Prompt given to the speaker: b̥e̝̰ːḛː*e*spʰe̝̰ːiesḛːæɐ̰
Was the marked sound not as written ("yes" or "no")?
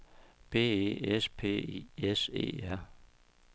no